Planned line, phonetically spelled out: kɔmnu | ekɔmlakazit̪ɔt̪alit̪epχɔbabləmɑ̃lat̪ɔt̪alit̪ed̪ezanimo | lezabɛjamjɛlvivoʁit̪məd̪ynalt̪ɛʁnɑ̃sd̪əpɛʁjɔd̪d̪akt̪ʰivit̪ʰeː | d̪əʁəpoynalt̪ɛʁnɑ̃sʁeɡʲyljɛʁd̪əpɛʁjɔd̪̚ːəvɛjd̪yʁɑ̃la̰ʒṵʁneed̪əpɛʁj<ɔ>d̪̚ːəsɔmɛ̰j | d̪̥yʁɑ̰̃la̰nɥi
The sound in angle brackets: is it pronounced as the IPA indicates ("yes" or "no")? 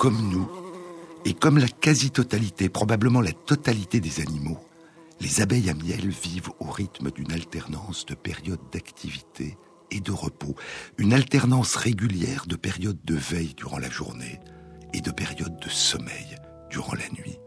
yes